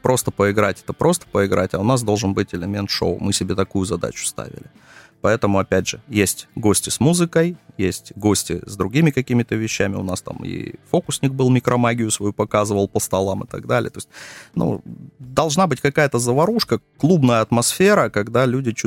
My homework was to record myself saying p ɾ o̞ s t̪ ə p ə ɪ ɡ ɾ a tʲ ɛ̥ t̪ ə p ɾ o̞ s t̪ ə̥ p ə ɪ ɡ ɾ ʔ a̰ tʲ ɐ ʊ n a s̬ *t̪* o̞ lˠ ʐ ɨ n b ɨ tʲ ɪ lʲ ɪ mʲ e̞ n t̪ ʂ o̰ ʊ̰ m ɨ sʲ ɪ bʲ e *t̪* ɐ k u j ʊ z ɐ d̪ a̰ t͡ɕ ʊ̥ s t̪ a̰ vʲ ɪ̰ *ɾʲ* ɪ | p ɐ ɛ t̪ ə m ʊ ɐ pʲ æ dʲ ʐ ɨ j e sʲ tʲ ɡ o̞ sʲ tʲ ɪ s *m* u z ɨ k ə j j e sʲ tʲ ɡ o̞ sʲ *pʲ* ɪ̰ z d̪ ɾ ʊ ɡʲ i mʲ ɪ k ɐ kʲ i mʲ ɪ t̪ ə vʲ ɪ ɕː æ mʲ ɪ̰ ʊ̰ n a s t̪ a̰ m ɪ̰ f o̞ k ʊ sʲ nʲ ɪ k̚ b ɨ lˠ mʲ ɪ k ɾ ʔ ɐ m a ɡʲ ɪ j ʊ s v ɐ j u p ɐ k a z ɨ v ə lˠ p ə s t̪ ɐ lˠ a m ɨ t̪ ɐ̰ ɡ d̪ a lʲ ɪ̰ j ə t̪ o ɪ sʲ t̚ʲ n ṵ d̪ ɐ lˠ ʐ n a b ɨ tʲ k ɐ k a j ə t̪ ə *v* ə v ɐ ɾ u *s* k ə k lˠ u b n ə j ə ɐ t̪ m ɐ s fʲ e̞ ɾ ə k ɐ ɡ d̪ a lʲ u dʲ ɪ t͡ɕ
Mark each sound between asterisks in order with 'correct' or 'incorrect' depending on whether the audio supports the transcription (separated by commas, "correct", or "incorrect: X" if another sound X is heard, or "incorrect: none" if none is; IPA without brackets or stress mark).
incorrect: d̪, correct, incorrect: lʲ, correct, incorrect: tʲ, incorrect: z, incorrect: ʂ